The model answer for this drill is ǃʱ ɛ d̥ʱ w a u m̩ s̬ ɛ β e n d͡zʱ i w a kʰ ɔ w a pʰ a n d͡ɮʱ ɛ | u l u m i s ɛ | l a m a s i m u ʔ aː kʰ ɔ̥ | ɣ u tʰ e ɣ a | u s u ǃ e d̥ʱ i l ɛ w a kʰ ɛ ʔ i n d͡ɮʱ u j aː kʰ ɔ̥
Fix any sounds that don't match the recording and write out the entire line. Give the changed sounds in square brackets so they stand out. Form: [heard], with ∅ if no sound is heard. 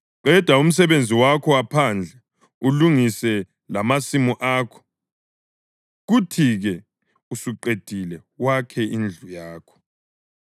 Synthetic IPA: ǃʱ ɛ d̥ʱ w a u m̩ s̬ ɛ β e n d͡zʱ i w a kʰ ɔ w a pʰ a n d͡ɮʱ ɛ | u l u [ŋ] i s ɛ | l a m a s i m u ʔ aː kʰ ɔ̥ | ɣ u tʰ [i] ɣ [ɛ] | u s u ǃ e d̥ʱ i l ɛ w a kʰ ɛ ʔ i n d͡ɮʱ u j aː kʰ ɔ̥